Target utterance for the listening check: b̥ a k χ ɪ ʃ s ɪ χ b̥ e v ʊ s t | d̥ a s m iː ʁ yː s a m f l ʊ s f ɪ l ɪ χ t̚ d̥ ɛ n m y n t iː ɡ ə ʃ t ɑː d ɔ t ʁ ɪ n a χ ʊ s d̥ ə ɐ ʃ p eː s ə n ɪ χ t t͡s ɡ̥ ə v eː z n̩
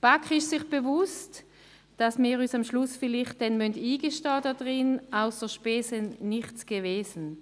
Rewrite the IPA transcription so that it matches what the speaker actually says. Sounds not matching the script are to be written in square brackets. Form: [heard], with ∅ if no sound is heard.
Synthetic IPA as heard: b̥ a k χ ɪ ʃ s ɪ χ b̥ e v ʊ s t | d̥ a s m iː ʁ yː s a m [ʃ] l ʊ s f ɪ l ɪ χ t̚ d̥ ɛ n m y n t iː ɡ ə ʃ t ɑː d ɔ [d] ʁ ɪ n a [∅] ʊ s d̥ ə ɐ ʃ p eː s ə n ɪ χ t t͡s ɡ̥ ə v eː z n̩

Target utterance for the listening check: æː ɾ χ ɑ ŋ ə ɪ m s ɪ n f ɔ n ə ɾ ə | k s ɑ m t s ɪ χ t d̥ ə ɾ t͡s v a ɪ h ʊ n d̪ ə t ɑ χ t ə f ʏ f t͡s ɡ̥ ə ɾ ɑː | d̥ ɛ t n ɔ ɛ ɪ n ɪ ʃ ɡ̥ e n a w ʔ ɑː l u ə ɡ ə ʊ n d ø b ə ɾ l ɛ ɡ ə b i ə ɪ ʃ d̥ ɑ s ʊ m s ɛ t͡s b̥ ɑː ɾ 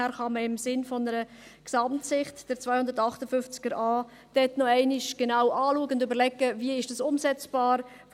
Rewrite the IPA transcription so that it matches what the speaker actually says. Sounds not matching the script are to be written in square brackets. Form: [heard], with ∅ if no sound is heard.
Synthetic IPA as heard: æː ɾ χ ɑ [m] ə ɪ m s ɪ n f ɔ n ə ɾ ə | k s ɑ m t s ɪ χ t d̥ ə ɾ t͡s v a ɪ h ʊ n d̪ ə t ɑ χ t ə f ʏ f t͡s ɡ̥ ə ɾ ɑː | d̥ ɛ t n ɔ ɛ ɪ n ɪ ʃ ɡ̥ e n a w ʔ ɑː l u ə ɡ ə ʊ n d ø b ə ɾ l ɛ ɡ ə [v] i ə ɪ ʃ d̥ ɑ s ʊ m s ɛ t͡s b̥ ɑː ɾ

